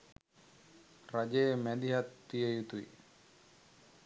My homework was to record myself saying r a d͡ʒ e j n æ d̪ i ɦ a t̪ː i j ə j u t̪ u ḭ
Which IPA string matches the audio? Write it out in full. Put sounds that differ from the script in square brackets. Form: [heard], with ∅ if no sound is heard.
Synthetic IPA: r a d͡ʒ e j [m] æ d̪ i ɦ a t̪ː i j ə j u t̪ u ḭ